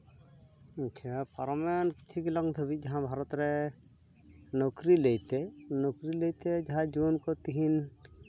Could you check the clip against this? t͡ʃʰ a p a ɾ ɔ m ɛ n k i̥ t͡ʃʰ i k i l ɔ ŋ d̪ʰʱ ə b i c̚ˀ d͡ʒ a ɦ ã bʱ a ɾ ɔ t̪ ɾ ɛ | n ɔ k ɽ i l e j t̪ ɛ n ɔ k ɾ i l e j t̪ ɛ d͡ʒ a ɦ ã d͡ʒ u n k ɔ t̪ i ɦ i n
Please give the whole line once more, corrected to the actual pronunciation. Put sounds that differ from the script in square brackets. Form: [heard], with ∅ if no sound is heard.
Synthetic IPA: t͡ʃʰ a p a ɾ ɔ m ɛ n k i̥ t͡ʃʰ i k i l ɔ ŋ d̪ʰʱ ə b i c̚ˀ d͡ʒ a ɦ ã bʱ a ɾ ɔ t̪ ɾ ɛ | n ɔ k [ɾ] i l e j t̪ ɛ n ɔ k ɾ i l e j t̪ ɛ d͡ʒ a ɦ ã d͡ʒ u n k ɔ t̪ i ɦ i n